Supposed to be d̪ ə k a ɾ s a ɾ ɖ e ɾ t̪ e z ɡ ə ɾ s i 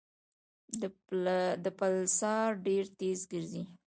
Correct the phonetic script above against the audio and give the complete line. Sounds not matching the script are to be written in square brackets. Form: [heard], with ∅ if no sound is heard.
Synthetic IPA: d̪ ə [p] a [l] s [ɑ] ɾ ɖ e ɾ t̪ e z ɡ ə ɾ [z] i

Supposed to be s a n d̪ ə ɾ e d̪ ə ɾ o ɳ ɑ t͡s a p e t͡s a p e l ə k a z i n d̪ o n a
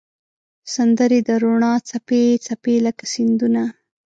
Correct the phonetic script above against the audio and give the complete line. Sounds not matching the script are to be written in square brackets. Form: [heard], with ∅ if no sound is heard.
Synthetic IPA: s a n d̪ ə ɾ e d̪ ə ɾ o ɳ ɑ t͡s a p e t͡s a p e l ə k a [s] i n d̪ [u] n a

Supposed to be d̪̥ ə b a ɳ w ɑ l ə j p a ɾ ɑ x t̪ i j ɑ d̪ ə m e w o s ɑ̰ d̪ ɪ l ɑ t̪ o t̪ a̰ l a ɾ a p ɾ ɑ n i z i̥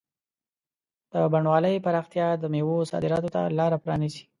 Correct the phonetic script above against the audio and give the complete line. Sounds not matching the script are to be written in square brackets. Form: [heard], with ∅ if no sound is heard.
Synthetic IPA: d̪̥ ə b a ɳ w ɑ l ə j p a ɾ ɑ x t̪ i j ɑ d̪ ə m e w o s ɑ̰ d̪ ɪ [ɾ] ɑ t̪ o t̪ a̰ l [ɑ] ɾ a p ɾ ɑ n i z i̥

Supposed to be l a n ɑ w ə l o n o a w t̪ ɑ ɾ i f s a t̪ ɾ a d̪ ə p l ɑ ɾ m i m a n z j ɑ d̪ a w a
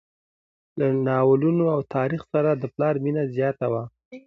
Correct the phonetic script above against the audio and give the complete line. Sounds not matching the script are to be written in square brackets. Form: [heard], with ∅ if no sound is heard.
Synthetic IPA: l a n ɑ w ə l [u] n o a w t̪ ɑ ɾ i [x] s a [∅] ɾ a d̪ ə p l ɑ ɾ m i [n] a [∅] z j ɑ [t̪] a w a

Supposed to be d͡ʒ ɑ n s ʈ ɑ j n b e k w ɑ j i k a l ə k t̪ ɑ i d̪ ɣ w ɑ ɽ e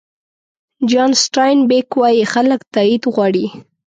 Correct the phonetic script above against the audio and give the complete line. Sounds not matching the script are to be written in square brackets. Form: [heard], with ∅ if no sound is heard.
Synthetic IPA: d͡ʒ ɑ n s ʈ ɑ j n b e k w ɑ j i [x] a l ə k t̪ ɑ i d̪ ɣ w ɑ ɽ [i]

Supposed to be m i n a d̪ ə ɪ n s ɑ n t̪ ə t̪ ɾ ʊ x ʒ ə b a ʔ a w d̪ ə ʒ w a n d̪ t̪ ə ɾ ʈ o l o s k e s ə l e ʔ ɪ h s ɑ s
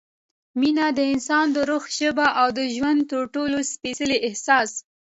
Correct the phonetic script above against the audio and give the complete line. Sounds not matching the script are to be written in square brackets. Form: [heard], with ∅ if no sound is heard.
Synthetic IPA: m i n a d̪ ə ɪ n s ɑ n [d̪] ə [∅] ɾ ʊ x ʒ ə b a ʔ a w d̪ ə ʒ w a n d̪ t̪ ə ɾ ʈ o l o s [p] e s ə l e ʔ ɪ h s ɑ s

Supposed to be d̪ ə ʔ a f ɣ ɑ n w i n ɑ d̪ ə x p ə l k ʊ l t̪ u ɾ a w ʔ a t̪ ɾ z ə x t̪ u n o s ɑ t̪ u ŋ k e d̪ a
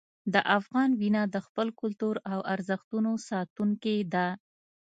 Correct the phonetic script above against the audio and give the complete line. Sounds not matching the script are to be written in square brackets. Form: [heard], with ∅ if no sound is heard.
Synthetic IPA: d̪ ə ʔ a f ɣ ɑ n w i n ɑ d̪ ə x p ə l k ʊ l t̪ u ɾ a w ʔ a [∅] ɾ z ə x t̪ u n o s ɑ t̪ u ŋ k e d̪ a

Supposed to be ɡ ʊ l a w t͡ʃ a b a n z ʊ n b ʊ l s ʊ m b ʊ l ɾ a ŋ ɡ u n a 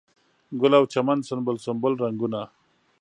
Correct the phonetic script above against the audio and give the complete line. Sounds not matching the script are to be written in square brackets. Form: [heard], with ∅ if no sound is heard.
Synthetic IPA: ɡ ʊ l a w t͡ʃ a [m] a n [s] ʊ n b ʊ l s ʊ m b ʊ l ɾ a ŋ ɡ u n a

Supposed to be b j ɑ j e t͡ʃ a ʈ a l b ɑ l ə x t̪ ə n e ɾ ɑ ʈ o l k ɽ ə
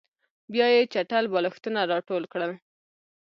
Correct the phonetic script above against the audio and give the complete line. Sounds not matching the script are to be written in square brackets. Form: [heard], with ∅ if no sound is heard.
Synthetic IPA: b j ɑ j e t͡ʃ a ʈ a l b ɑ l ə x t̪ ə n [a] ɾ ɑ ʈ o l k ɽ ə

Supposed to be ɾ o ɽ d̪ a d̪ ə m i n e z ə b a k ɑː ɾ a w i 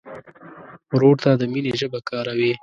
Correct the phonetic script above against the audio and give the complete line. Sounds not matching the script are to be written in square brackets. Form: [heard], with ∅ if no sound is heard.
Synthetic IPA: ɾ o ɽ [t̪] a d̪ ə m i n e [ʒ] ə b a k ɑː ɾ a w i

